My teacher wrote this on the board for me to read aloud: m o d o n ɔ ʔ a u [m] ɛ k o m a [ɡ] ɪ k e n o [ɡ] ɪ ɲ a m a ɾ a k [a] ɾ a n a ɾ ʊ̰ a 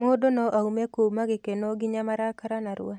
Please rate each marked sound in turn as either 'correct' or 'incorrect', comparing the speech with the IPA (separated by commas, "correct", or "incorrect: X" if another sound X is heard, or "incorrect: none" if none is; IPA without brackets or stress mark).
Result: correct, correct, correct, correct